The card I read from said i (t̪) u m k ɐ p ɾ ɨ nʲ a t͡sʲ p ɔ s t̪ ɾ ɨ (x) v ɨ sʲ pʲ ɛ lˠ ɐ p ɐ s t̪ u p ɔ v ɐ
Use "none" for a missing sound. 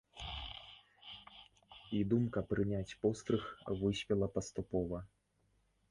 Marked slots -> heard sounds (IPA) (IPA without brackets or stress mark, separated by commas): d̪, x